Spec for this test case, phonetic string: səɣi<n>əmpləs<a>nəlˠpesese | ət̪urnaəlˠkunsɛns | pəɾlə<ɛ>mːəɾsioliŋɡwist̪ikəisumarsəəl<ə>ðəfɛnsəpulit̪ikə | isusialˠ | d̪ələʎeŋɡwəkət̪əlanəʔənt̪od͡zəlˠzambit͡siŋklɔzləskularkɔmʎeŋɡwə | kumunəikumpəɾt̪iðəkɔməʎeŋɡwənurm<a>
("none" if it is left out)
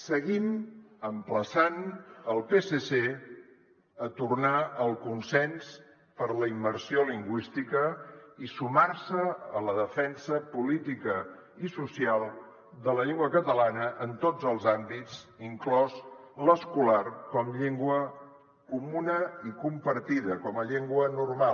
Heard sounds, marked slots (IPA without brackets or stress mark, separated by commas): m, a, i, ə, a